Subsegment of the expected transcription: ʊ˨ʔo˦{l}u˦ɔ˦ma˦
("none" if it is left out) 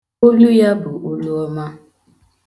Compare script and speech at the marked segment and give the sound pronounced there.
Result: l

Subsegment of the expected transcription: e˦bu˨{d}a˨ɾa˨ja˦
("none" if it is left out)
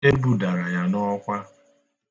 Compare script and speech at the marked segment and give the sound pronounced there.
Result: d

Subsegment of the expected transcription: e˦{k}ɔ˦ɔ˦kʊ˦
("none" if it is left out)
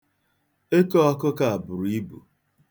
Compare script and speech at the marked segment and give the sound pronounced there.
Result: k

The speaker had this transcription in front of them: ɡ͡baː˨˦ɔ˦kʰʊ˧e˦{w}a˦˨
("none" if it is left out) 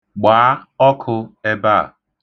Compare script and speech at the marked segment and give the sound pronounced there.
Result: b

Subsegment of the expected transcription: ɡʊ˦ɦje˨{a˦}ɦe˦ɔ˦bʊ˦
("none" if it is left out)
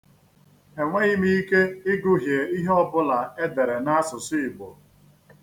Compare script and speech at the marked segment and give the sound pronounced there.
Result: i˦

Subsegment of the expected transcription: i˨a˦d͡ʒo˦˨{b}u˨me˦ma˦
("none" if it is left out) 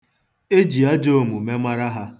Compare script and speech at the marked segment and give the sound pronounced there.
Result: m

